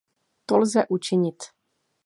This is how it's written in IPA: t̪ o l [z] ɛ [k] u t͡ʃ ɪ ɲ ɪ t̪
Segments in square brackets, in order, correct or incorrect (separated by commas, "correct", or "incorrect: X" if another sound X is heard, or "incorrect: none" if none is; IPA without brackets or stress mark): correct, incorrect: ʔ